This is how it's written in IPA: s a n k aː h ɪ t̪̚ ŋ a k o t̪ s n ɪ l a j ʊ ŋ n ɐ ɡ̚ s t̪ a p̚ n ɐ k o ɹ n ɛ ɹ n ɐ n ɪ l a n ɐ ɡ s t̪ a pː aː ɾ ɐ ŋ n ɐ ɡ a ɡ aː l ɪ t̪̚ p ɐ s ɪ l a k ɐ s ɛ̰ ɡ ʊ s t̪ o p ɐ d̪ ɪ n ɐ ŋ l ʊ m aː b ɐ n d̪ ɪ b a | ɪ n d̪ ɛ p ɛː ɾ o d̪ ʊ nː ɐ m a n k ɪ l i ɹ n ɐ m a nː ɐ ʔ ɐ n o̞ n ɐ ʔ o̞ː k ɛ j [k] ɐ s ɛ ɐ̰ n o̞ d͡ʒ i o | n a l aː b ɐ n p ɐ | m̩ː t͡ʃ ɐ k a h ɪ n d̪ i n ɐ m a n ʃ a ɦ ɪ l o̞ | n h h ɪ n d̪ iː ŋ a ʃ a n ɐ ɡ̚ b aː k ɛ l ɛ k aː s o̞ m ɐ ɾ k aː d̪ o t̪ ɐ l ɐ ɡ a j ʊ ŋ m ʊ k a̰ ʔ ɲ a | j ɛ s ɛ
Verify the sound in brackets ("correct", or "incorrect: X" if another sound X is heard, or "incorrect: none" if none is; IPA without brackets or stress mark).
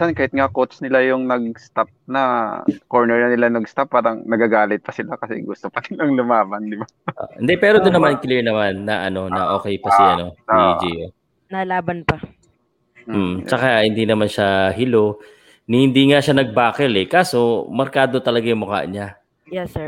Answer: incorrect: p